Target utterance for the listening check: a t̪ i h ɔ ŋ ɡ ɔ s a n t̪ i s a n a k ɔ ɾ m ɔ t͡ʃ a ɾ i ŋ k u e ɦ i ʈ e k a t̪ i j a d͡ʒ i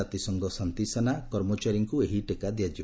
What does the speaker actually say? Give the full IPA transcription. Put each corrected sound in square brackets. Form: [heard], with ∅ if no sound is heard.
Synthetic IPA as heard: a t̪ i [s] ɔ ŋ ɡ ɔ s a n t̪ i s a n a k ɔ ɾ m ɔ t͡ʃ a ɾ i ŋ k u e ɦ i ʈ e k a [d̪] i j a d͡ʒ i